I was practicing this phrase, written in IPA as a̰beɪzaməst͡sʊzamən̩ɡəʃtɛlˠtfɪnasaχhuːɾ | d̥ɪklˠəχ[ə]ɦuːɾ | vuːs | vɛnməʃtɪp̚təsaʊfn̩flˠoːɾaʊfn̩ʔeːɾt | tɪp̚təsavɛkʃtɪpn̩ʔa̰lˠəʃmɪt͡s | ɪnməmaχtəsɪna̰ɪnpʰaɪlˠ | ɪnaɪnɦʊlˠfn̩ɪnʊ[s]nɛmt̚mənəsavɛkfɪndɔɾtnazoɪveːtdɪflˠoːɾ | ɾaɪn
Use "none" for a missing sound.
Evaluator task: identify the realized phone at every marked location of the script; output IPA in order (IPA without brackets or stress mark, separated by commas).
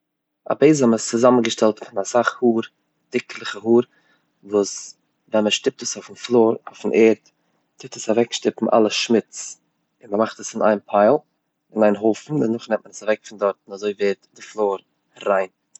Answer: ə, χ